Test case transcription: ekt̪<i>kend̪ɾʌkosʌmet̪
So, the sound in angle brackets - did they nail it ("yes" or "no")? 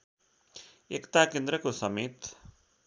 no